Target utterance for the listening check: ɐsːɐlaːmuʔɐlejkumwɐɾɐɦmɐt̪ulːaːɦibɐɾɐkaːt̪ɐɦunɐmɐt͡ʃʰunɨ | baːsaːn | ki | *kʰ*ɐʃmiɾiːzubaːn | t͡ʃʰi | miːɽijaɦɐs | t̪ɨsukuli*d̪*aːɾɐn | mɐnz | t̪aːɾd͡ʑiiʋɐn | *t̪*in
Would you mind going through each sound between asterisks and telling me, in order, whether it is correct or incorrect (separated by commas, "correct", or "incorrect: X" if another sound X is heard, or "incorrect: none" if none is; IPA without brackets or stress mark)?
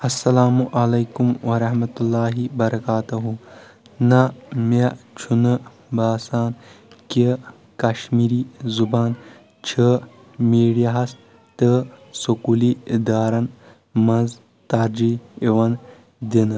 incorrect: k, correct, incorrect: d̪